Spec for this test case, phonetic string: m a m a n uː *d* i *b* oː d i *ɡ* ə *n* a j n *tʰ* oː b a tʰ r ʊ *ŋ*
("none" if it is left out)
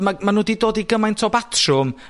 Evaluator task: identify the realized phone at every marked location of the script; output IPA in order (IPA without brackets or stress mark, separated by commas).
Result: d, d, ɡ, m, tʰ, m